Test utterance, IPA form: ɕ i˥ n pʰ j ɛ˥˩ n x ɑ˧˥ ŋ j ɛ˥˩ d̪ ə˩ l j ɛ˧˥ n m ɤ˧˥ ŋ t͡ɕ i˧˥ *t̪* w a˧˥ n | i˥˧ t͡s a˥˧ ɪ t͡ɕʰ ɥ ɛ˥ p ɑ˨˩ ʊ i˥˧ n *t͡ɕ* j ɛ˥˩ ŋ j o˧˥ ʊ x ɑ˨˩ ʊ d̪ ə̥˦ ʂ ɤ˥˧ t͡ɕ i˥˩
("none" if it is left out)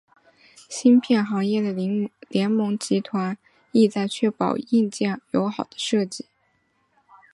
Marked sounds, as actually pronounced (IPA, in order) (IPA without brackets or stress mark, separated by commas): t̪ʰ, t͡ɕ